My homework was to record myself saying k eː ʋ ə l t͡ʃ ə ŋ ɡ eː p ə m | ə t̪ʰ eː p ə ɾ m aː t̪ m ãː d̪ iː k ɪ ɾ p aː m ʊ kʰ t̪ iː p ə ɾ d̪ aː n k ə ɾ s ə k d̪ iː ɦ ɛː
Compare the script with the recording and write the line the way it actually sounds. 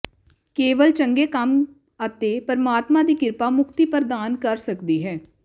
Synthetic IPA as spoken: k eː ʋ ə l t͡ʃ ə ŋ ɡ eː k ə m | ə t̪ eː p ə ɾ m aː t̪ m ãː d̪ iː k ɪ ɾ p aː m ʊ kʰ t̪ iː p ə ɾ d̪ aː n k ə ɾ s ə k d̪ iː ɦ ɛː